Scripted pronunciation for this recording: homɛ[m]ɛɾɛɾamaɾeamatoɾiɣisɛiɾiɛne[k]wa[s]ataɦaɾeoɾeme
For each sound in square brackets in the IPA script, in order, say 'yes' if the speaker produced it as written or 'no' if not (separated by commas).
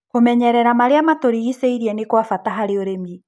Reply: no, yes, no